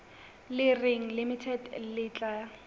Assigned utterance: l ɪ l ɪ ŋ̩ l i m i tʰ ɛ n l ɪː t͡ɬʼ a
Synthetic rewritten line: l ɪ r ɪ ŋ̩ l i m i tʰ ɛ d l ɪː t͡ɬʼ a